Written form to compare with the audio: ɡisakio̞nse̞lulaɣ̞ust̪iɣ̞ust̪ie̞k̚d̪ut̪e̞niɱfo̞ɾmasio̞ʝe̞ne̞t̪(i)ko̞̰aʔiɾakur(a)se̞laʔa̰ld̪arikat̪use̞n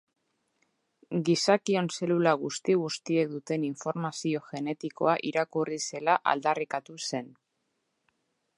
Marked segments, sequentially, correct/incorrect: correct, incorrect

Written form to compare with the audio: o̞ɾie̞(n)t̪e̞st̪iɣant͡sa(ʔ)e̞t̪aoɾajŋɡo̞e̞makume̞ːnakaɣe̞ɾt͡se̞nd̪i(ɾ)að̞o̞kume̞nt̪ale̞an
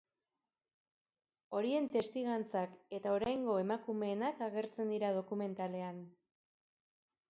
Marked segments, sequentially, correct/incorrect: correct, incorrect, correct

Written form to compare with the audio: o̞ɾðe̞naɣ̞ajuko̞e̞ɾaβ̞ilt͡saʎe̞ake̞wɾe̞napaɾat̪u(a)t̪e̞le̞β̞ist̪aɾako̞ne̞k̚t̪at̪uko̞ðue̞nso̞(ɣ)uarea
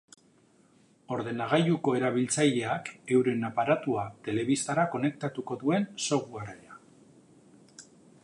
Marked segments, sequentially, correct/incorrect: correct, correct

